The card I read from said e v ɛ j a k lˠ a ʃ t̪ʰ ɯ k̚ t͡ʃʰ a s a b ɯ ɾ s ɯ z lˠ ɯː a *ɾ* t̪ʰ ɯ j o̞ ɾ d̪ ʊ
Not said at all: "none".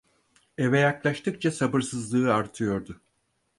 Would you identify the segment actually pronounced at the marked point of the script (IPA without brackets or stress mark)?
ɾ